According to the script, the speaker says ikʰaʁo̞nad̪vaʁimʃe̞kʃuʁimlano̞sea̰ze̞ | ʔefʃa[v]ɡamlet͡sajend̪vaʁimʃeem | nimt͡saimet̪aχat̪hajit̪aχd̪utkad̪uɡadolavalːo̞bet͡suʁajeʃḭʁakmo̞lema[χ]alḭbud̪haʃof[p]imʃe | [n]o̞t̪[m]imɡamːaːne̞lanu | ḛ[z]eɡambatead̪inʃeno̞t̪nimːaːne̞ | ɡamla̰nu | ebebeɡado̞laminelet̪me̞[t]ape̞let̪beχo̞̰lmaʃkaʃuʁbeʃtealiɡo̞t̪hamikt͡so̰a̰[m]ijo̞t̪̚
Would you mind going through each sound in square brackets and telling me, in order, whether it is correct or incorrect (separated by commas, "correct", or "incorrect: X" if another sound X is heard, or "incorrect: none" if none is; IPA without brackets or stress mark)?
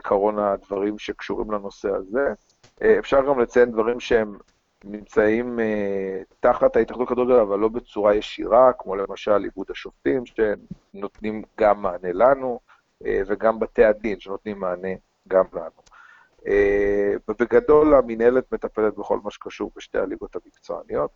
incorrect: ʁ, incorrect: ʃ, incorrect: t, correct, incorrect: n, incorrect: v, correct, incorrect: n